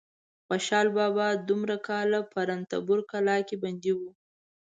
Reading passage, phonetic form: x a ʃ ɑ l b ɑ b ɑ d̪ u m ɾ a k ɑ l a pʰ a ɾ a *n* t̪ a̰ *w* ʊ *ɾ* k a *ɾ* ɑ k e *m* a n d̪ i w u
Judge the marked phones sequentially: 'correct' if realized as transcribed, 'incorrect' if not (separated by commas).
correct, incorrect, correct, incorrect, incorrect